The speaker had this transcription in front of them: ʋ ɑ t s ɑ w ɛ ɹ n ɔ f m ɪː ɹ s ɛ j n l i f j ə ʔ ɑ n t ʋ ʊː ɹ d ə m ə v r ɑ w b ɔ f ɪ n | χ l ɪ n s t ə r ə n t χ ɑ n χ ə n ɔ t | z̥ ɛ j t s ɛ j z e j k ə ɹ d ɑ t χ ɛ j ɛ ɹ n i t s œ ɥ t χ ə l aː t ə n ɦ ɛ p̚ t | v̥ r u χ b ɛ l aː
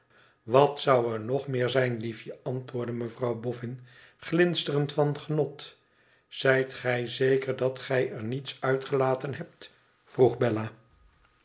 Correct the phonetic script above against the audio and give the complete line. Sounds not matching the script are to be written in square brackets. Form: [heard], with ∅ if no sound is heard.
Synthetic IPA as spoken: ʋ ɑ t s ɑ w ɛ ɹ n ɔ [χ] m ɪː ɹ [z] ɛ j n l i f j ə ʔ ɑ n t ʋ ʊː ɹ d ə m ə v r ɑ w b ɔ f ɪ n | χ l ɪ n s t ə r ə n t [f] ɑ n χ ə n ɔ t | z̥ ɛ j t [χ] ɛ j z e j k ə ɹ d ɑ t χ ɛ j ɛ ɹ n i t s œ ɥ t χ ə l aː t ə n ɦ ɛ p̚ t | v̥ r u χ b ɛ l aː